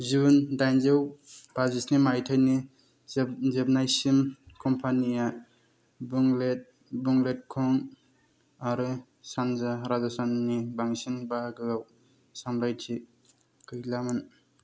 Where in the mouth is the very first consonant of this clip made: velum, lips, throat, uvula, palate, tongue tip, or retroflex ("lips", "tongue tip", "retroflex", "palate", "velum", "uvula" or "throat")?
tongue tip